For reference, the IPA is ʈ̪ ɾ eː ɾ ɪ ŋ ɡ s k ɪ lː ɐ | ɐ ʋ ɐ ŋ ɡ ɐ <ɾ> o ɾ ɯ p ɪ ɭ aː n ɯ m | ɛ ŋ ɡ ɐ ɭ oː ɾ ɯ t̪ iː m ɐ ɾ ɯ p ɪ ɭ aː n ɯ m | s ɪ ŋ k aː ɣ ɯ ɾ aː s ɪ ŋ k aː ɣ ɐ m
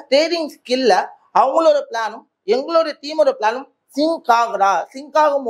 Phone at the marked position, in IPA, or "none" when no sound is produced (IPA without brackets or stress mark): ɭ